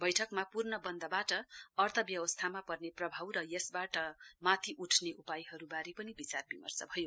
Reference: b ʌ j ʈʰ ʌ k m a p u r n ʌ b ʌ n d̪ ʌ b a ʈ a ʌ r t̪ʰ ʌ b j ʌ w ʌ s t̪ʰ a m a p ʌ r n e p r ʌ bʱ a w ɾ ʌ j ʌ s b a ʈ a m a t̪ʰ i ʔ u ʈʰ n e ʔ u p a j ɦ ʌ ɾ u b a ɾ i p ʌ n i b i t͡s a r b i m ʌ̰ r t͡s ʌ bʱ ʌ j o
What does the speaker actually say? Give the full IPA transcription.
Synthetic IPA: b ʌ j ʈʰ ʌ k m a p u r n ʌ b ʌ n d̪ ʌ b a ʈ ʌ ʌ r t̪ʰ ʌ b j ʌ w ʌ s t̪ʰ a m a p ʌ r n e p r ʌ bʱ a w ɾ ʌ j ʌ s b a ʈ ʌ m a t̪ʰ i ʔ u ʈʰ n e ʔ u p a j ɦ ʌ ɾ u b a ɾ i p ʌ n i b i t͡s a r b i m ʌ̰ r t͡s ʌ bʱ ʌ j o

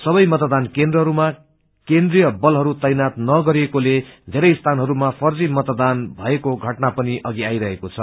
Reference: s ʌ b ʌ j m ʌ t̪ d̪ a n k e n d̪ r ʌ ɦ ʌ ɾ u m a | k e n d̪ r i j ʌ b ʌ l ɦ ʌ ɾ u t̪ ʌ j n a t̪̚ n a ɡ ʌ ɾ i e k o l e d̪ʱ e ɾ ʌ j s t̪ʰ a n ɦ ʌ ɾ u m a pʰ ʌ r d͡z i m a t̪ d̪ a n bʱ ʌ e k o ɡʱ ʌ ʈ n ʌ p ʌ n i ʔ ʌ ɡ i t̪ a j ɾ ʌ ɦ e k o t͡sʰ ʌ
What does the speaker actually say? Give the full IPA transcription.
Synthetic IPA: s ʌ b ʌ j m ʌ t̪ d̪ a n k e n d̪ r ʌ ɦ ʌ ɾ u m a | k e n d̪ r i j ʌ b ʌ l ɦ ʌ ɾ u t̪ ʌ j n a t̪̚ n ʌ ɡ ʌ ɾ i e k o l e d̪ʱ e ɾ ʌ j s t̪ʰ a n ɦ ʌ ɾ u m a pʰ ʌ r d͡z i m ʌ t̪ d̪ a n bʱ ʌ e k o ɡʱ ʌ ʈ n a p ʌ n i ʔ ʌ ɡ i a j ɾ ʌ ɦ e k o t͡sʰ ʌ

